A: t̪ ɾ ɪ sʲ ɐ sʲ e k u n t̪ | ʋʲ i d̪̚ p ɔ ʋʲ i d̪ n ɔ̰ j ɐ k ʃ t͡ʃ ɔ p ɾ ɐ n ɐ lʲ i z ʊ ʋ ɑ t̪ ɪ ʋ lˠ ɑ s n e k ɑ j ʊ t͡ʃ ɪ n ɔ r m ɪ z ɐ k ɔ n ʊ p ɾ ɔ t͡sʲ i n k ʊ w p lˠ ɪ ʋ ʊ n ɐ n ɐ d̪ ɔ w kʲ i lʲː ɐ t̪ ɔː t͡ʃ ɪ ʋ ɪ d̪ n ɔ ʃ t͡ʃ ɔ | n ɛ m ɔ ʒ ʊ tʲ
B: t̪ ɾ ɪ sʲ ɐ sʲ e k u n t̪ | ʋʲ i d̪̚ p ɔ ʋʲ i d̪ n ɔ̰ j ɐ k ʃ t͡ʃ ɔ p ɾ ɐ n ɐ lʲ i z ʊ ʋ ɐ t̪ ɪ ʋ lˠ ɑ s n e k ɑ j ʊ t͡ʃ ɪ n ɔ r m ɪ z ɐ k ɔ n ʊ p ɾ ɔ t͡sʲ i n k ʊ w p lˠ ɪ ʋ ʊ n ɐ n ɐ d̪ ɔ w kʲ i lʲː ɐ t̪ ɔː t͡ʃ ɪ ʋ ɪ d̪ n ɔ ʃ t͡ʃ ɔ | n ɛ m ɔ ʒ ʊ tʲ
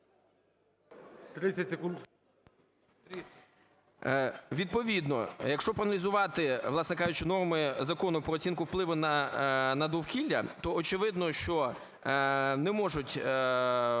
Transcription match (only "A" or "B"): A